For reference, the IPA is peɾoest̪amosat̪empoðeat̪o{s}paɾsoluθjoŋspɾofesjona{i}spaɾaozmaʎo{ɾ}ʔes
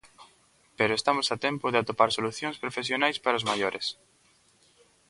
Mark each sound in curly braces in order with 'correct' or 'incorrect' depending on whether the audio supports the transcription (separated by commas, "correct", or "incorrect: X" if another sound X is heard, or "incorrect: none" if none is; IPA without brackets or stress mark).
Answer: incorrect: none, incorrect: j, correct